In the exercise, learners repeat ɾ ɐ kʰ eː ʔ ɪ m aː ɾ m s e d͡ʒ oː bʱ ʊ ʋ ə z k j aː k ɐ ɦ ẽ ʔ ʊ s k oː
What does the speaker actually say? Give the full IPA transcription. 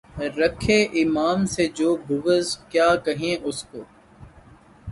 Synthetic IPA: ɾ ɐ kʰ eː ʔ ɪ m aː m s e d͡ʒ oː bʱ ʊ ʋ ə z k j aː k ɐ ɦ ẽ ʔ ʊ s k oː